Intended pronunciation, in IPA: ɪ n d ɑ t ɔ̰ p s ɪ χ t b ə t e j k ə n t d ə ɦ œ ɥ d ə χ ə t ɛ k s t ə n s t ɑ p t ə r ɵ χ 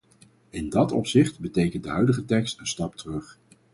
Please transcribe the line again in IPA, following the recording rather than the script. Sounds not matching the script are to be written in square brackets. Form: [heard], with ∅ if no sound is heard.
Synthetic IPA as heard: ɪ n d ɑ t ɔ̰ p s ɪ χ t b ə t e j k ə n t d ə ɦ œ ɥ d ə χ ə t ɛ k s t ə n s t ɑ p t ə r ɵ χ